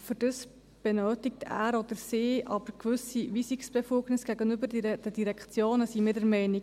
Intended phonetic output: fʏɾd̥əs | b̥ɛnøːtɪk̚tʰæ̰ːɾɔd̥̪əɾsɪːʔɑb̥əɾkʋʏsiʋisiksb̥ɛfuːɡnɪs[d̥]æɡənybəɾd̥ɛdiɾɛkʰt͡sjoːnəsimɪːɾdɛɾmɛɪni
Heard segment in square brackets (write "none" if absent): ɡ̥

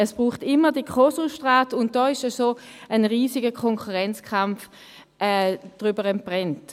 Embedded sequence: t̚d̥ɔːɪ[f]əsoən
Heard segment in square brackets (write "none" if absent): ʃ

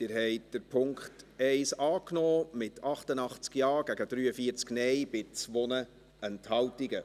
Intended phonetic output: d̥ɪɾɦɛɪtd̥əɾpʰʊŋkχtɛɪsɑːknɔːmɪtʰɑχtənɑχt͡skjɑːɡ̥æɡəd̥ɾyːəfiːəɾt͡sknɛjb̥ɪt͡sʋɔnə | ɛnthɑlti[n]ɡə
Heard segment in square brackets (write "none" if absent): none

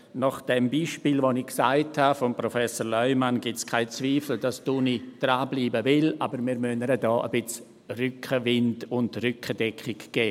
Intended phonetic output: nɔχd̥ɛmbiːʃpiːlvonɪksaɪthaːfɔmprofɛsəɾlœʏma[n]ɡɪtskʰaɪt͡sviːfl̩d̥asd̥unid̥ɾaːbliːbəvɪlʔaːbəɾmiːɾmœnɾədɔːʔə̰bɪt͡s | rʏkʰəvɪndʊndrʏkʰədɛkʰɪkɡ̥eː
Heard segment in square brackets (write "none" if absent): n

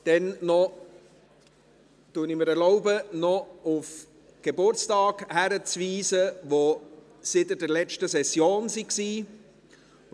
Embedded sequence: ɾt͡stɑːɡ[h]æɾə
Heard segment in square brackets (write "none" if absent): h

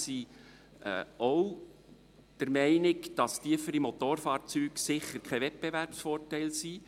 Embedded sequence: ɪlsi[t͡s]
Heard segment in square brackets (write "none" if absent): none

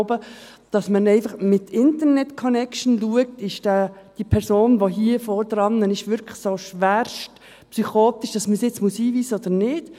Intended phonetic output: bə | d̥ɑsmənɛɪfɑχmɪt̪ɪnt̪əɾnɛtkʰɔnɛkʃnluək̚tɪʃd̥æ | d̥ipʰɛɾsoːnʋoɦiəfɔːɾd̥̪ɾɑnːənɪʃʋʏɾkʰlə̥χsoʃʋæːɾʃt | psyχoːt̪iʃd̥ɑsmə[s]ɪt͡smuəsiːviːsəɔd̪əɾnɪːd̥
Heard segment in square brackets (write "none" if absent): s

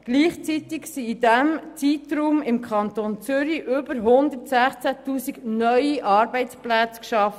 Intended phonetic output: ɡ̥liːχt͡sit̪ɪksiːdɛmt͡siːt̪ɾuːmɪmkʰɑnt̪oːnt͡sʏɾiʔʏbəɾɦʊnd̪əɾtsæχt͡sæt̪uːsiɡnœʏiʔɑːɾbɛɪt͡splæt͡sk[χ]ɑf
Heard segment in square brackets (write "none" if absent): ʃ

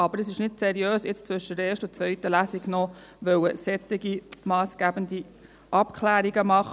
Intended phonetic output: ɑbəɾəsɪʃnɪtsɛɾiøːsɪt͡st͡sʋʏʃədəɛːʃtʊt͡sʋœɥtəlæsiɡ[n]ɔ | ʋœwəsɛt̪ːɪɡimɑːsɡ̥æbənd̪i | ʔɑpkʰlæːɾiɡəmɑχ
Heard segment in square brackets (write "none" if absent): n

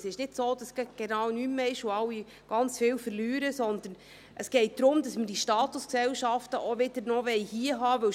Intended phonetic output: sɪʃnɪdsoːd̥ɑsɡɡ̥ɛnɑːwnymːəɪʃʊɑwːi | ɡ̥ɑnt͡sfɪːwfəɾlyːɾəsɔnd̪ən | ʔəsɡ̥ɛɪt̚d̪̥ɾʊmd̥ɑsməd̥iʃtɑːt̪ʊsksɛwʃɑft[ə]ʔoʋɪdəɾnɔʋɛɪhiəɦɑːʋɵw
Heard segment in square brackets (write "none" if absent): ə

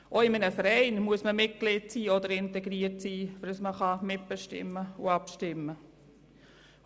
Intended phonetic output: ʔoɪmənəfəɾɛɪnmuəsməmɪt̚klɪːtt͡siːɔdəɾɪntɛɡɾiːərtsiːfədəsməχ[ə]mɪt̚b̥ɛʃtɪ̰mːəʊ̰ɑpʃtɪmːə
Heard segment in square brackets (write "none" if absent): ɑ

